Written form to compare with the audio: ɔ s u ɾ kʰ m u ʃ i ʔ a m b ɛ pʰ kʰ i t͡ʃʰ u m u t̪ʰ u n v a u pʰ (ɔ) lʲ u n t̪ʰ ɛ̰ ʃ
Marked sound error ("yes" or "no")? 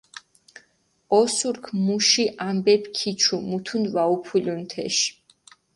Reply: yes